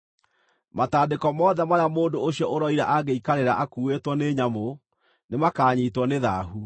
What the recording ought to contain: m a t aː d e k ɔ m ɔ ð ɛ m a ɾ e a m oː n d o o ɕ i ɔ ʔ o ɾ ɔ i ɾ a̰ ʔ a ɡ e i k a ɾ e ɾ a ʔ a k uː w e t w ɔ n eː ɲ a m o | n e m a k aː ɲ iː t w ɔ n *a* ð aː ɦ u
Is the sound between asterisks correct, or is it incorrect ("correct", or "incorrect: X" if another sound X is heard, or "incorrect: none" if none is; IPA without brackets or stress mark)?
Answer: incorrect: e